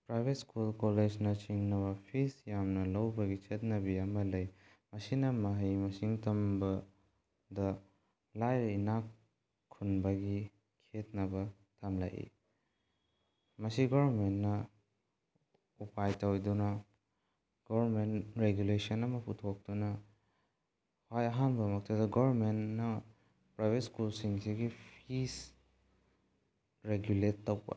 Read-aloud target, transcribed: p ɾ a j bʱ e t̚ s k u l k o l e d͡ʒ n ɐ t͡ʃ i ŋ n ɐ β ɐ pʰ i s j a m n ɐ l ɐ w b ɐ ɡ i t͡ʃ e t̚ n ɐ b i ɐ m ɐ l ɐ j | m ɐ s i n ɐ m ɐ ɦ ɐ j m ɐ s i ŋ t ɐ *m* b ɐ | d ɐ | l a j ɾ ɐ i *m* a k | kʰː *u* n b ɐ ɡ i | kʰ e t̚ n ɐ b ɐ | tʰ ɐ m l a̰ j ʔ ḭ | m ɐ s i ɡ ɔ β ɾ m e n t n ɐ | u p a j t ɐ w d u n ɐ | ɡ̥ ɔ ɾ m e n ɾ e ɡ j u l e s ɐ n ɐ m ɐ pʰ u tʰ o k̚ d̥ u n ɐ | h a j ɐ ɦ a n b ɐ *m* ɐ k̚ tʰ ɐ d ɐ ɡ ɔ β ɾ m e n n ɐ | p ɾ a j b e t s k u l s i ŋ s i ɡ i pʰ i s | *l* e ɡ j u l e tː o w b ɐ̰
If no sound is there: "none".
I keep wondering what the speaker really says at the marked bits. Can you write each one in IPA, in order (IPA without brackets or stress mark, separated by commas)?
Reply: m, n, u, m, ɾ